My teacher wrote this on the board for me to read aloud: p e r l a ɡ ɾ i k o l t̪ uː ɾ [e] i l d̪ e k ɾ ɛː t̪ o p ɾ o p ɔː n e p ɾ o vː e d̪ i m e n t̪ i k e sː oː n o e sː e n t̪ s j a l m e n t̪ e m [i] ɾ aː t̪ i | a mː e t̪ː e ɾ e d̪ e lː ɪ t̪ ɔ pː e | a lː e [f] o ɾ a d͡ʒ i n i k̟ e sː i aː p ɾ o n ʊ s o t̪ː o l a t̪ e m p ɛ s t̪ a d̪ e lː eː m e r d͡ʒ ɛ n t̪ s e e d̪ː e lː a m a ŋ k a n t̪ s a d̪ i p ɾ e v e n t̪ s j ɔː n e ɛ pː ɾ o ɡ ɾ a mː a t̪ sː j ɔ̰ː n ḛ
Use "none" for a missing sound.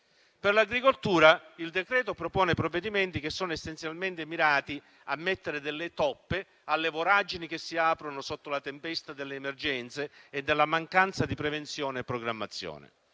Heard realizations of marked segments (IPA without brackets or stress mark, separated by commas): a, i, v